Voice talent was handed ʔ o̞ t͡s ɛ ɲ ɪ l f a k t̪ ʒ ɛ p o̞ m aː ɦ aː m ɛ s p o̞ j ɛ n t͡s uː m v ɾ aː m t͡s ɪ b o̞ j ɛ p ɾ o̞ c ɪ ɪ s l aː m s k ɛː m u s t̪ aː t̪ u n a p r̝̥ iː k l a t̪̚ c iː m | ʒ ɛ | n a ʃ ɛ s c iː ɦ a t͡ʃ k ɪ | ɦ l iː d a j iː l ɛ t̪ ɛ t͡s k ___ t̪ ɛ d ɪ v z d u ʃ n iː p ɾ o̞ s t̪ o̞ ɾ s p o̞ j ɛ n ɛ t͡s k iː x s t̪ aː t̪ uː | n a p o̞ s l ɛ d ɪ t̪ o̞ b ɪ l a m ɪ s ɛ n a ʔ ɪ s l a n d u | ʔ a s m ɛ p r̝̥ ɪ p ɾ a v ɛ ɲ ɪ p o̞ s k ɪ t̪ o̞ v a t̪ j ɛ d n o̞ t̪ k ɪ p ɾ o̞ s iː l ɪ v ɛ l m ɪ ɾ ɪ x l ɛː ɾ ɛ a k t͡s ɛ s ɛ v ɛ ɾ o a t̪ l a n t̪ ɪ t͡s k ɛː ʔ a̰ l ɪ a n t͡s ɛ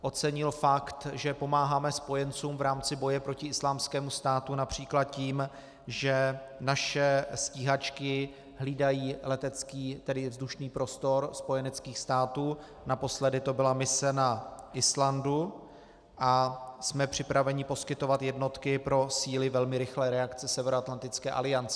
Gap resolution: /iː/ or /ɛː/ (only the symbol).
iː